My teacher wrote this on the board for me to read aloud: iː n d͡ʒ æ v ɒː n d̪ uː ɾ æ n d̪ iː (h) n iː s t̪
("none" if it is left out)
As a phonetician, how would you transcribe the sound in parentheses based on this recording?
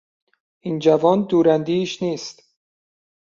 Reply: ʃ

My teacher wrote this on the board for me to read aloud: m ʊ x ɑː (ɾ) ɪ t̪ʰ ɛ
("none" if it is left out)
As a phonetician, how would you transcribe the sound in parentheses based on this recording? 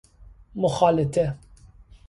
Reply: l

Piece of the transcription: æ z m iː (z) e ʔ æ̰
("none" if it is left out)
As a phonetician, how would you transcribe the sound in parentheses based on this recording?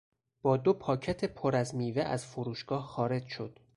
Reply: v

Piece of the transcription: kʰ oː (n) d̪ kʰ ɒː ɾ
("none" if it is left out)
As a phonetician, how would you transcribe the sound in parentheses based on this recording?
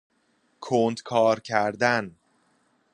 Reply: n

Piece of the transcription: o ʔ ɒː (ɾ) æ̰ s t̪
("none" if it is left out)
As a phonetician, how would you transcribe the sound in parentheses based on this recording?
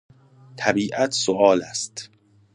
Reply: l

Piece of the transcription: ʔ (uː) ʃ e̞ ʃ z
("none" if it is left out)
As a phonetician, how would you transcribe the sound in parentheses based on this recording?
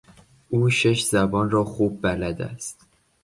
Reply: uː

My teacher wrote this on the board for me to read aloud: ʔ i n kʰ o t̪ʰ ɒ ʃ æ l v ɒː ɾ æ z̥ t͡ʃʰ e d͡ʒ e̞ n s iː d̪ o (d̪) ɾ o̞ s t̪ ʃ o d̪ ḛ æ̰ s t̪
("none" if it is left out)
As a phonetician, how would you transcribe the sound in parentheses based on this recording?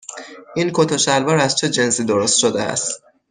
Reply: none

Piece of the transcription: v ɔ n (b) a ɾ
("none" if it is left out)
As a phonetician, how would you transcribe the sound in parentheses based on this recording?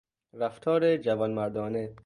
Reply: m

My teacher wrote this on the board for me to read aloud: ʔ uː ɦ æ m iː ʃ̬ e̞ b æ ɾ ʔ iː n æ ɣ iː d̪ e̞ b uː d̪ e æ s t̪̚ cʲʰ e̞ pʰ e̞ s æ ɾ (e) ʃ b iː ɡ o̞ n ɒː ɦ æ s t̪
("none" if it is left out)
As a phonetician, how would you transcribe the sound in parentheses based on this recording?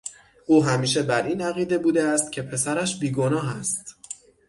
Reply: æ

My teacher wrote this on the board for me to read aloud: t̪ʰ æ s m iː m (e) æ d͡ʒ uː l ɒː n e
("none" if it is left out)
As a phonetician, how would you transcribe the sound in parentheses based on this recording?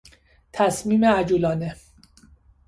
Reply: e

